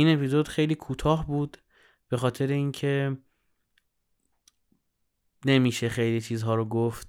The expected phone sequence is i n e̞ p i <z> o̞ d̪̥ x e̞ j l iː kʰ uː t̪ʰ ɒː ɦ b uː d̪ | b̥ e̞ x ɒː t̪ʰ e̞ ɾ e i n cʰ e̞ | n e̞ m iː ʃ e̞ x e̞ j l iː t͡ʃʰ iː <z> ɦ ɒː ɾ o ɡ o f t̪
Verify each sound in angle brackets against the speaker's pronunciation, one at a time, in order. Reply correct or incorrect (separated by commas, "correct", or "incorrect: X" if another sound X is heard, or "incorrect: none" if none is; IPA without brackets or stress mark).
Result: correct, correct